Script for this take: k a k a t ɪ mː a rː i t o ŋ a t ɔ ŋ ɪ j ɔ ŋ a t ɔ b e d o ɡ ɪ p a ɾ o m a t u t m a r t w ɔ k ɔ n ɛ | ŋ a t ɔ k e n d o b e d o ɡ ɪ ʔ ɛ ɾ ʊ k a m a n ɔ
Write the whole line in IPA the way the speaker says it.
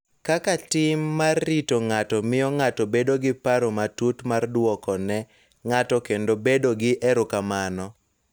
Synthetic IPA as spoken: k a k a t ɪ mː a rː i t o ŋ a t ɔ m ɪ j ɔ ŋ a t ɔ b e d o ɡ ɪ p a ɾ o m a t u t m a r d w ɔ k ɔ n ɛ | ŋ a t ɔ k e n d o b e d o ɡ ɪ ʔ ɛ ɾ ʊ k a m a n ɔ